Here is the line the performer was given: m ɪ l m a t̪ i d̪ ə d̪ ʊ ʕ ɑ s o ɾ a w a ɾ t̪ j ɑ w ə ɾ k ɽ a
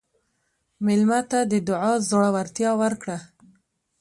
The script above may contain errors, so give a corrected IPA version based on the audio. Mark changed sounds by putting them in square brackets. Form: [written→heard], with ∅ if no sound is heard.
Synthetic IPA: m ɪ l m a t̪ [i→a] d̪ ə d̪ ʊ ʕ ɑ [s→z] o [ɾ→ɽ] a w a ɾ t̪ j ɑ w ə ɾ k ɽ a